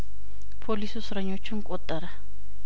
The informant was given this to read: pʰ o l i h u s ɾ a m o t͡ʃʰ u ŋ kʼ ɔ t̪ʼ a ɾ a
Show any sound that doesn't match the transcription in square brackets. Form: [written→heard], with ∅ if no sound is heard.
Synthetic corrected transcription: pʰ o l i [h→s] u s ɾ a [m→ɲ] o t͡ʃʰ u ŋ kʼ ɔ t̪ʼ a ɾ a